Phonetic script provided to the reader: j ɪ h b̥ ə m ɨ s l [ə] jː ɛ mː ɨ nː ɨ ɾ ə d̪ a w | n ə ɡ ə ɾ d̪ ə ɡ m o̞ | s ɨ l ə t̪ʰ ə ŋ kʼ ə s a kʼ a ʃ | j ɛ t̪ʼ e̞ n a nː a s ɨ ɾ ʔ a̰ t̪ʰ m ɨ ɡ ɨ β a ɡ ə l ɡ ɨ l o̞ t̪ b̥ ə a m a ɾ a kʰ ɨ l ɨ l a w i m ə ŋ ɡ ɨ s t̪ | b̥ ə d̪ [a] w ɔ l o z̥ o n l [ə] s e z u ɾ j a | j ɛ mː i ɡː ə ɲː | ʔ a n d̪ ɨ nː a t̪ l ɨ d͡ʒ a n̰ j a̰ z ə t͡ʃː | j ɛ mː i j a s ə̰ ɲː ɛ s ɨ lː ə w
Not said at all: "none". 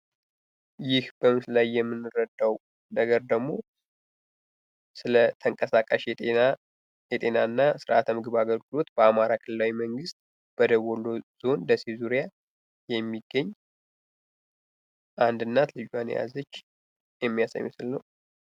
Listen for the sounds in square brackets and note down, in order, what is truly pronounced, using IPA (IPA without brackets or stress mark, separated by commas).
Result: a, ə, ə